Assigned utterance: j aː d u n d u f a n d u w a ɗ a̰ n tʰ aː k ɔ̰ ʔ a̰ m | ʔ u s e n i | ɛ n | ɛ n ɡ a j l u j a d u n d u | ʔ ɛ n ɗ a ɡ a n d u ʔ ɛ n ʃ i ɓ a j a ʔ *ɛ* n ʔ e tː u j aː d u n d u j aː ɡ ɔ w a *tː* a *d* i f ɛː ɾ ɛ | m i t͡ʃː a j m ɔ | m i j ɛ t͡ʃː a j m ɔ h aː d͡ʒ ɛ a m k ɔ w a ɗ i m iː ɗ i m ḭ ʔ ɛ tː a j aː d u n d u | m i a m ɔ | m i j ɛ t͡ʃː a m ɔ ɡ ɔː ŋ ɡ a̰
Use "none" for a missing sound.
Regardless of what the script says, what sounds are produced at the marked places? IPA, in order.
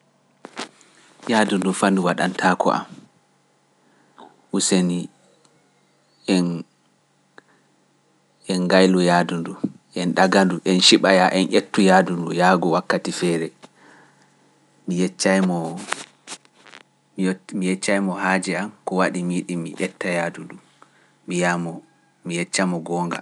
ɛ, kː, t

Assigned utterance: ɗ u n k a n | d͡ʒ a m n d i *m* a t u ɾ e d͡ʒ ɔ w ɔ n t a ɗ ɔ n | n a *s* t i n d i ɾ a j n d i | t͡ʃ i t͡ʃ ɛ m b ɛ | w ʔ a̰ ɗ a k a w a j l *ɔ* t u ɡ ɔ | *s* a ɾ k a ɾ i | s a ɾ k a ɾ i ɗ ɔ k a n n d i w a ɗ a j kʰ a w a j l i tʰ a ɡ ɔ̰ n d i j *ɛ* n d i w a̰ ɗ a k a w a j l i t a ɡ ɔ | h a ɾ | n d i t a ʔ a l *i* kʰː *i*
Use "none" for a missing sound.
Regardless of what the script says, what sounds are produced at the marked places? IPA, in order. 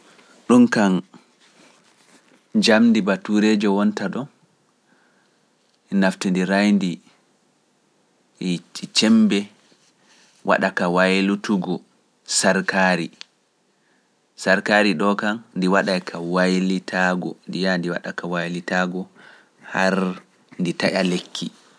b, f, u, s, a, e, i

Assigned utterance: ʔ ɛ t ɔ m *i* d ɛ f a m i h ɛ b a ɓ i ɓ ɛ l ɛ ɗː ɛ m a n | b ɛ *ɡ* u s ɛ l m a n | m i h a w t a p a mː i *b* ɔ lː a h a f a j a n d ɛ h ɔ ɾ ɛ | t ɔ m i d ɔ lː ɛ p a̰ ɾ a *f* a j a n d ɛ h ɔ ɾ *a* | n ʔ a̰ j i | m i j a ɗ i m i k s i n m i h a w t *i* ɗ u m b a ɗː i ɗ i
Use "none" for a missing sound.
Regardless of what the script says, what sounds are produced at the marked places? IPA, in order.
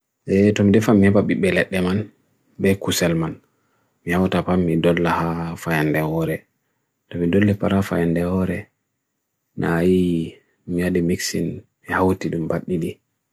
i, k, d, f, ɛ, i

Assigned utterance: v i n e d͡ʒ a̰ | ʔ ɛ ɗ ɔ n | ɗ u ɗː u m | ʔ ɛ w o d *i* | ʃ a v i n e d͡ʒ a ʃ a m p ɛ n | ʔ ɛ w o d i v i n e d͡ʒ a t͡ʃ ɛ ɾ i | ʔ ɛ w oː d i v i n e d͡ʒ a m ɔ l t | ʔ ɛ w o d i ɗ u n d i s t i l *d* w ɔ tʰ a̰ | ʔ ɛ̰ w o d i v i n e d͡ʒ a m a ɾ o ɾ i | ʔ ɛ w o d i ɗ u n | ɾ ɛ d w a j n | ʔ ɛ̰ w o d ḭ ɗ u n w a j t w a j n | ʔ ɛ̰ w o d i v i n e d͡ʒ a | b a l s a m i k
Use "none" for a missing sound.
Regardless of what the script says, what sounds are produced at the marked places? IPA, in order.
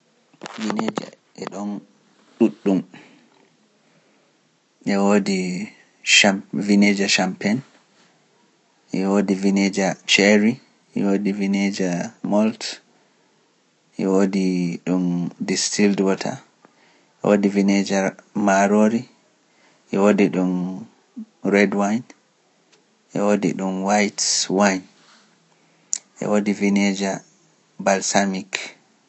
i, d

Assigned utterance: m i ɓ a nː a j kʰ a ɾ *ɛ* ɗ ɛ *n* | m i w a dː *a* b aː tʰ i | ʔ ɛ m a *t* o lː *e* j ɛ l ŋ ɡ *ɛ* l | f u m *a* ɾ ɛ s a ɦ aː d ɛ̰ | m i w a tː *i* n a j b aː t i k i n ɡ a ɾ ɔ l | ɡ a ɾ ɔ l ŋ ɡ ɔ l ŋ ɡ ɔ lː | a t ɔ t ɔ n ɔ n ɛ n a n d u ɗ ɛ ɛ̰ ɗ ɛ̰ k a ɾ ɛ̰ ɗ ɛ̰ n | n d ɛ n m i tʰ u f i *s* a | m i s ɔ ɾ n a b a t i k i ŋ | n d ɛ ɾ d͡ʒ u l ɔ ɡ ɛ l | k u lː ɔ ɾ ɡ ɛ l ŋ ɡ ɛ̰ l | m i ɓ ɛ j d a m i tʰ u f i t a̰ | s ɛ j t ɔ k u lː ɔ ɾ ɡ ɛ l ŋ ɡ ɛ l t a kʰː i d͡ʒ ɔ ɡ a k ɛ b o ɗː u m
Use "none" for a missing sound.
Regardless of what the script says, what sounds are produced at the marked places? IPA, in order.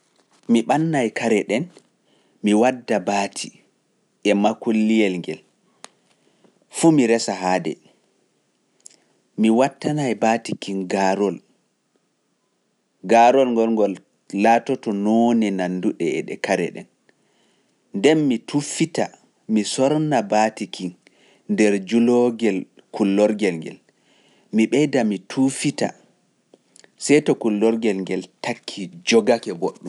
ɛ, n, a, k, i, ɛ, i, a, t

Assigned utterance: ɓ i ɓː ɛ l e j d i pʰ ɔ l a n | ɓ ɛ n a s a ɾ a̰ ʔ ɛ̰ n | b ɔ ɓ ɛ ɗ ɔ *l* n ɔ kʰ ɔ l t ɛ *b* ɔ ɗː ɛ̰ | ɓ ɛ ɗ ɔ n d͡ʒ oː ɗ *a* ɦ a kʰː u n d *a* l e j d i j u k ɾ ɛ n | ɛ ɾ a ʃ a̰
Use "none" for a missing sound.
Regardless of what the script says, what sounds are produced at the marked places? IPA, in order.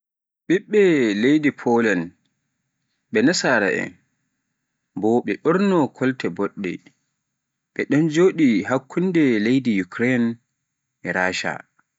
ɾ, b, i, ɛ

